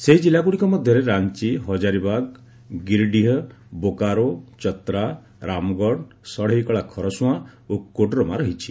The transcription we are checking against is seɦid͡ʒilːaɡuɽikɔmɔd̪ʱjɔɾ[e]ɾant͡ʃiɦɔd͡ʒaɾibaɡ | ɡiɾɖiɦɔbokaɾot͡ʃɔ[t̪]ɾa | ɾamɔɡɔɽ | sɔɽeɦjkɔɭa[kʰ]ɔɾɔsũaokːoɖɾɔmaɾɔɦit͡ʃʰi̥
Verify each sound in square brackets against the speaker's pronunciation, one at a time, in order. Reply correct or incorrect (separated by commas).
correct, correct, correct